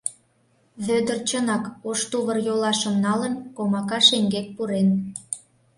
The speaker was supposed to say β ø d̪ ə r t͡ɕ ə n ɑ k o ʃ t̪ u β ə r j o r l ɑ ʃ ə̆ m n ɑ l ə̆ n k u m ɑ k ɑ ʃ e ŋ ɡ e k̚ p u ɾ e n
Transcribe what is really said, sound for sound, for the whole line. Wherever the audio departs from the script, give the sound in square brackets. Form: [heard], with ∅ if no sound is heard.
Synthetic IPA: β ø d̪ ə r t͡ɕ ə n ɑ k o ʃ t̪ u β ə r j o [∅] l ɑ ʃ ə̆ m n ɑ l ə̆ n k [o] m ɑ k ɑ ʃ e ŋ ɡ e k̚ p u ɾ e n